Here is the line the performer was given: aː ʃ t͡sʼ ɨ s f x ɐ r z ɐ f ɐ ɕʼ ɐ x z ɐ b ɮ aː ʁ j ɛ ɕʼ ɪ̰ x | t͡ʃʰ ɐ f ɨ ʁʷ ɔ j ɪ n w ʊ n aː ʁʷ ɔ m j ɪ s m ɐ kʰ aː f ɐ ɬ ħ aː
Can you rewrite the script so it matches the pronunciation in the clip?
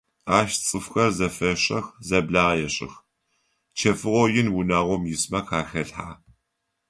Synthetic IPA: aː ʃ t͡sʼ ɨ f x ɐ r z ɐ f ɐ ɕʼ ɐ x z ɐ b ɮ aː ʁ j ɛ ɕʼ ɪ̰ x | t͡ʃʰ ɐ f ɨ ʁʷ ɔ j ɪ n w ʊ n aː ʁʷ ɔ m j ɪ s m ɐ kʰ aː x ɐ ɬ ħ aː